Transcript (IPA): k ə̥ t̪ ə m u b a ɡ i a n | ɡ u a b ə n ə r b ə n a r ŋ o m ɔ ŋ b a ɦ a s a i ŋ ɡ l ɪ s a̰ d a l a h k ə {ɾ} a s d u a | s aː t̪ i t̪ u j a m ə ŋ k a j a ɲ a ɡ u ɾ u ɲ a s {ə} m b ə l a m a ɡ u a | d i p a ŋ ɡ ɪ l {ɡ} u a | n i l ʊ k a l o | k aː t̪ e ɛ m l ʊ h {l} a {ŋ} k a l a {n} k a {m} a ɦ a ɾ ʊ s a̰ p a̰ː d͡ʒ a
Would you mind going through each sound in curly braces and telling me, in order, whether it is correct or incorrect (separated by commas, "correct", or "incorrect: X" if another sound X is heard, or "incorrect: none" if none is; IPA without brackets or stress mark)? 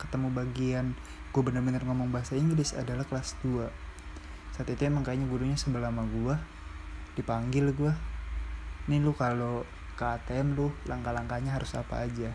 incorrect: l, correct, correct, correct, correct, incorrect: ŋ, incorrect: ɲ